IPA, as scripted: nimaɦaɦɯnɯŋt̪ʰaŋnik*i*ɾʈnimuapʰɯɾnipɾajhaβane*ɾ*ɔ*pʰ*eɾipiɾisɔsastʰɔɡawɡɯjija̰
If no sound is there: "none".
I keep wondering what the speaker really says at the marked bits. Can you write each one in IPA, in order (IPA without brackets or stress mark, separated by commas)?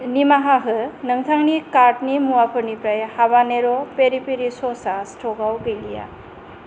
a, ɾ, p